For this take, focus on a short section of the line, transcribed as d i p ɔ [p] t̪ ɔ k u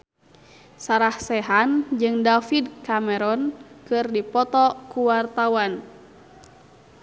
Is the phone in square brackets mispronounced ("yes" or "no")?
yes